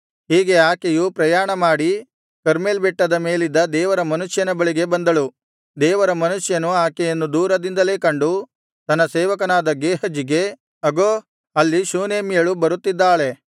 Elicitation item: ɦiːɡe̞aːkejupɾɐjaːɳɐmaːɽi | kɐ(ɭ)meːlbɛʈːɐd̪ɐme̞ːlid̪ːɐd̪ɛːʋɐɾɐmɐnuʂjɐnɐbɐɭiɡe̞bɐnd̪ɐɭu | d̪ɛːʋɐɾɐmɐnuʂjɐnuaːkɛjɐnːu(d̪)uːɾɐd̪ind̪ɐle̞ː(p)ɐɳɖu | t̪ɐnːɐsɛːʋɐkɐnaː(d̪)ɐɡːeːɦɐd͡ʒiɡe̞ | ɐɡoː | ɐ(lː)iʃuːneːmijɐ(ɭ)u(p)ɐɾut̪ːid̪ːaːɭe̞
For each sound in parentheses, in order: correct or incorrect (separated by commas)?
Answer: incorrect, correct, incorrect, correct, correct, correct, incorrect